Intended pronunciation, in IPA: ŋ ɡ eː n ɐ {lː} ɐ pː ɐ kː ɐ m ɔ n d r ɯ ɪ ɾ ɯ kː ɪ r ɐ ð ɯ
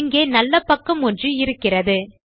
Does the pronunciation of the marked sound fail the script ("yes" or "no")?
no